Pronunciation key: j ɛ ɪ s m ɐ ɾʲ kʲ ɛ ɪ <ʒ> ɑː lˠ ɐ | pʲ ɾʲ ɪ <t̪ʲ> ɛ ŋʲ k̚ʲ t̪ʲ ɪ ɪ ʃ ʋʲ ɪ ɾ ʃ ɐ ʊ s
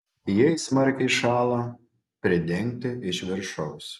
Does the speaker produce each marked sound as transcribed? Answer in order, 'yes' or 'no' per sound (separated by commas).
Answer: no, no